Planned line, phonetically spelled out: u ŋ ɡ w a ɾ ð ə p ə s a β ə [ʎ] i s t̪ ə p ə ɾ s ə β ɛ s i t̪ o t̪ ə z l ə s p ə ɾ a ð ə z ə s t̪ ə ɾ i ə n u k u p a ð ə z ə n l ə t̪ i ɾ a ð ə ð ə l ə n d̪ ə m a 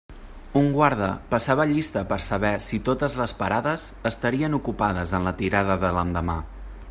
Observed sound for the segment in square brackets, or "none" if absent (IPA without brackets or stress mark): ʎ